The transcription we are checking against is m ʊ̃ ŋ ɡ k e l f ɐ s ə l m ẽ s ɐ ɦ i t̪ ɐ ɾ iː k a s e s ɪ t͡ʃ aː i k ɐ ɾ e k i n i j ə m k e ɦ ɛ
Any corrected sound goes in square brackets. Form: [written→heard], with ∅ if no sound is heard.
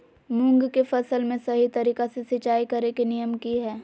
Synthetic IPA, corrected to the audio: m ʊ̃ ŋ ɡ k e [l→∅] f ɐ s ə l m ẽ s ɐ ɦ i t̪ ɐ ɾ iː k a s e s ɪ t͡ʃ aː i k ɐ ɾ e k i n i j ə m k [e→i] ɦ [ɛ→ɛː]